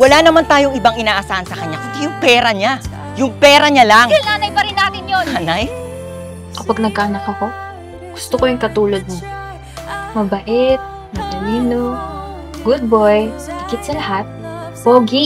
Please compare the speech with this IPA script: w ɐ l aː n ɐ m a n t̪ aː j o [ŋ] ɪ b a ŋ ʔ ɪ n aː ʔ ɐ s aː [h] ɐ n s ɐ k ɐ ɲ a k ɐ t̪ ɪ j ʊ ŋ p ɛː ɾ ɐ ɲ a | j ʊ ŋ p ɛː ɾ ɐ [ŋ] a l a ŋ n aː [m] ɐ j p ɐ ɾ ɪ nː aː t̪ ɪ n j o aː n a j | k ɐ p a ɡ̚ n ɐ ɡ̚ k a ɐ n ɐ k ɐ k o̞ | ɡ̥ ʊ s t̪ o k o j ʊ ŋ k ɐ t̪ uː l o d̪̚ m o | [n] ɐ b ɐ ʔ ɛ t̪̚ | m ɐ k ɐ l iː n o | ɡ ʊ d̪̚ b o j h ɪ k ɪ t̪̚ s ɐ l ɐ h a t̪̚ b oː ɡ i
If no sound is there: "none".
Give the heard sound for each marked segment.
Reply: ŋ, h, ɲ, n, m

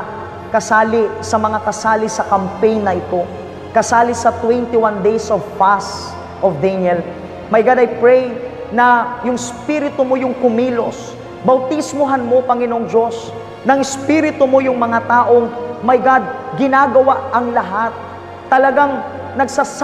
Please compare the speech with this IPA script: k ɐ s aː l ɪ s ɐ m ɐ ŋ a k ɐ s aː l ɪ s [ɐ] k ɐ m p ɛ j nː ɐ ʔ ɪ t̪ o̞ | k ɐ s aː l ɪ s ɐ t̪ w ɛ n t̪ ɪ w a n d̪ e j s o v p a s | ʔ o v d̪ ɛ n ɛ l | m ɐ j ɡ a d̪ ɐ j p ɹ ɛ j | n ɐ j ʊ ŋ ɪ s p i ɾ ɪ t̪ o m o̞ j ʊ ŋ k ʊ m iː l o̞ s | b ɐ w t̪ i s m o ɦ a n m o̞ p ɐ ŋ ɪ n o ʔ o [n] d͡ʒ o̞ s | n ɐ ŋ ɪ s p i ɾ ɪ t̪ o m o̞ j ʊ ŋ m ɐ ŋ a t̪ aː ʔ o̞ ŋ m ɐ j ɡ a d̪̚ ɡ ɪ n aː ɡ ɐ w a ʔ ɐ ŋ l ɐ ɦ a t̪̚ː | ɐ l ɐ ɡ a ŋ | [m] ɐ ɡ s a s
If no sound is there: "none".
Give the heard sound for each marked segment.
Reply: ɐ, ŋ, n

